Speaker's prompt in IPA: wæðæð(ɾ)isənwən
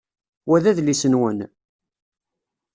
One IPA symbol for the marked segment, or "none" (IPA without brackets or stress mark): l